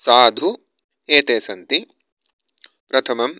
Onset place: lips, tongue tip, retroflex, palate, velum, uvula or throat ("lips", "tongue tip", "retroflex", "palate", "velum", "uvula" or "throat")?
tongue tip